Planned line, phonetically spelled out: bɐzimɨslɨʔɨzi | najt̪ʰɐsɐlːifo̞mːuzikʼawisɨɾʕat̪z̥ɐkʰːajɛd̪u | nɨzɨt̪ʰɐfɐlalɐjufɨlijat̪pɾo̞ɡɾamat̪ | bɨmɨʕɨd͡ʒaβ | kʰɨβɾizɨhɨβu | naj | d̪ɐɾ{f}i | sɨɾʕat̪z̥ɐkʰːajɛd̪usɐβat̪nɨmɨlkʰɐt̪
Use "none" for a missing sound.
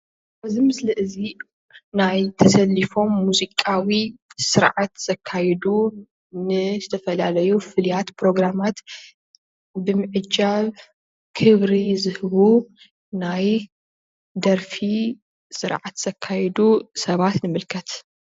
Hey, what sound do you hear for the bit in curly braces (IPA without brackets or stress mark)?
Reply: f